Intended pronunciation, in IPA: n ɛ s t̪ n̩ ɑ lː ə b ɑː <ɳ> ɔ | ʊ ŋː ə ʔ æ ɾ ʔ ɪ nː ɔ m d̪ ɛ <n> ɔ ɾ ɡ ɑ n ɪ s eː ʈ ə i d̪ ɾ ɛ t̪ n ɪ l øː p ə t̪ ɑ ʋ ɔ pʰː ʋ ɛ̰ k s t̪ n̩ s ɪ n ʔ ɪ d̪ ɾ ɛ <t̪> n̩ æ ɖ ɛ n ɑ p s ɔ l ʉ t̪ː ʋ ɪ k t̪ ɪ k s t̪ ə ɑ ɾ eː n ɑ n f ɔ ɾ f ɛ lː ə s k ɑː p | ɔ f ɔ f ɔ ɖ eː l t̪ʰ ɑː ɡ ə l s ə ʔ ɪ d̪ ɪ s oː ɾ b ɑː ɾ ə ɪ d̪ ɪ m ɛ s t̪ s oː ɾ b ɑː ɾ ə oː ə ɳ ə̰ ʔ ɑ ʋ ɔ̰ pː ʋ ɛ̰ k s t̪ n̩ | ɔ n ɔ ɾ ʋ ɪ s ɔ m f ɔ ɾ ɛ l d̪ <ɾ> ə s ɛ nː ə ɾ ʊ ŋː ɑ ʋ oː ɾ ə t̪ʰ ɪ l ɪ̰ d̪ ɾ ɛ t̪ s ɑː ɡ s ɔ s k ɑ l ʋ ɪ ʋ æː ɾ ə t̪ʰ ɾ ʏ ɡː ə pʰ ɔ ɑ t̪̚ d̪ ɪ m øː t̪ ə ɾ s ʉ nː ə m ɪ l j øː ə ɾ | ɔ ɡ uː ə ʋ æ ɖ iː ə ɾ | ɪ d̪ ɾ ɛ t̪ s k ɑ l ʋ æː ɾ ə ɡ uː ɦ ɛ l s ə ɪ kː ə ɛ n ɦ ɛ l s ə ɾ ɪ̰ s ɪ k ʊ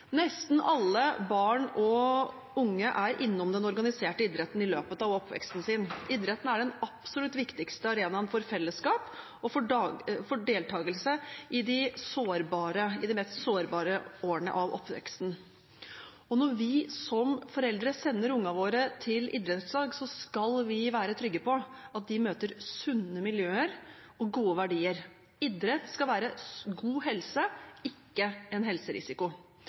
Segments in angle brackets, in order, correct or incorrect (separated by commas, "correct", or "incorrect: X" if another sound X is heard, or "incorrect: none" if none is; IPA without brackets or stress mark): correct, correct, correct, correct